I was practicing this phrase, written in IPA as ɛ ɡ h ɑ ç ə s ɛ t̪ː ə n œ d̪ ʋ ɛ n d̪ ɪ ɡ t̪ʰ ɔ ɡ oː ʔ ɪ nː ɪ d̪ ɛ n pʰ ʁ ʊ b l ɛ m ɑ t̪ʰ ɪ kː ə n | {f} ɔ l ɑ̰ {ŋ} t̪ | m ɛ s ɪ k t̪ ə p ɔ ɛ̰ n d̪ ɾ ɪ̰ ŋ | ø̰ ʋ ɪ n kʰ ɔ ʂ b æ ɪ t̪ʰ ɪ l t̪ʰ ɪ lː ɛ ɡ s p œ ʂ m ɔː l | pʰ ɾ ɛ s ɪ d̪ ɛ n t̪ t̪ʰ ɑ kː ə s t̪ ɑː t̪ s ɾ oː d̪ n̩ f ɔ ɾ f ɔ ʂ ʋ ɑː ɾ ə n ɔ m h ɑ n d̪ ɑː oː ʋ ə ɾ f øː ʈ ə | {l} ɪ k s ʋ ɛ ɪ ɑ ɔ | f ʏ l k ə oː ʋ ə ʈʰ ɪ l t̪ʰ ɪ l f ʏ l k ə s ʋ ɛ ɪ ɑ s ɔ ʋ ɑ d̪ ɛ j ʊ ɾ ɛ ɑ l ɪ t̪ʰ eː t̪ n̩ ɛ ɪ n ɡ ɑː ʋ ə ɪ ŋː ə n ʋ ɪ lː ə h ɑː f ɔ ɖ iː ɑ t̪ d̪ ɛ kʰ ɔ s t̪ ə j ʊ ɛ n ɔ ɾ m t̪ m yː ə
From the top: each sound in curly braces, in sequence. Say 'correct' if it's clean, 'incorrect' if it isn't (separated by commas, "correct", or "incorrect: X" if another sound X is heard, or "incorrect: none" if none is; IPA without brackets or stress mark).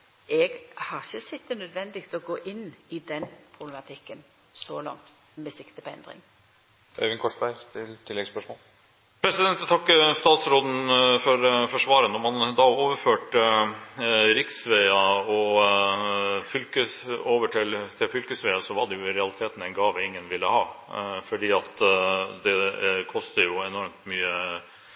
incorrect: s, correct, incorrect: ɾ